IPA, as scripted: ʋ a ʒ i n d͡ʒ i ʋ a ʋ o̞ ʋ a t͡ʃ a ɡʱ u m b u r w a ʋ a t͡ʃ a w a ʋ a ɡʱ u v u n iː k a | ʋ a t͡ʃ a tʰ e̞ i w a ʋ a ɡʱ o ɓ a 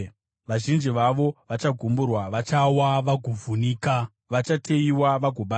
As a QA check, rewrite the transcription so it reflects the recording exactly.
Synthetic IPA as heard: ʋ a ʒ i n d͡ʒ i ʋ a ʋ o̞ ʋ a t͡ʃ a ɡʱ u m b u r w a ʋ a t͡ʃ a w a ʋ a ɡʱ u v u n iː k a | ʋ a t͡ʃ a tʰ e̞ i w a ʋ a ɡʱ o ɓ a